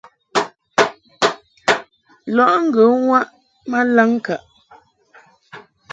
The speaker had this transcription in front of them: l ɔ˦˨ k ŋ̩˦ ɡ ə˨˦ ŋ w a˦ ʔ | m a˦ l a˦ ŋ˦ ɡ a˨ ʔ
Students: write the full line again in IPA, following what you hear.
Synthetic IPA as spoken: l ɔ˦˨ ʔ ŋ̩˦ ɡ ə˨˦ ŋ w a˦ ʔ | m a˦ l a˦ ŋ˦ k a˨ ʔ